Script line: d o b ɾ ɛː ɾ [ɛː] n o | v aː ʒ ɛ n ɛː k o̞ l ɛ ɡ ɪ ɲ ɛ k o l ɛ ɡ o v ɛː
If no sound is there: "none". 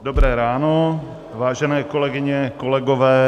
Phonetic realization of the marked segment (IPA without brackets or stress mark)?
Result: aː